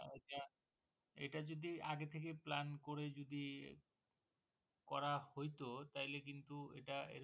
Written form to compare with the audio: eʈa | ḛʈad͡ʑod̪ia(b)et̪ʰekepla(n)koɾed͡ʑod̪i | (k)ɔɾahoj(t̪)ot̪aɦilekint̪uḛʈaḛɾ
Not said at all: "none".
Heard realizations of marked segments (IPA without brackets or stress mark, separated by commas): ɡ, n, k, t̪